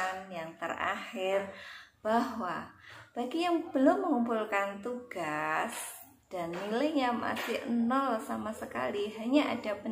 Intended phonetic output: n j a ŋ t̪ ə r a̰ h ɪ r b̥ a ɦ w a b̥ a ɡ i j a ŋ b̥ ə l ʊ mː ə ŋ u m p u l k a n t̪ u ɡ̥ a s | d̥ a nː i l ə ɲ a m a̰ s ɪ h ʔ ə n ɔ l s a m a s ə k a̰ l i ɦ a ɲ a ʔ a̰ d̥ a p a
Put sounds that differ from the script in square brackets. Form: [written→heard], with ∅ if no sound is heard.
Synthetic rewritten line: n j a ŋ t̪ ə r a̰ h ɪ r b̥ a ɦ w a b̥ a ɡ i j a ŋ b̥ ə l ʊ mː ə ŋ u m p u l k a n t̪ u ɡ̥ a s | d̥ a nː i l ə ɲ a m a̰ s ɪ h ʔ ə n ɔ l s a m a s ə k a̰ l i ɦ a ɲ a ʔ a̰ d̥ a p [a→ə]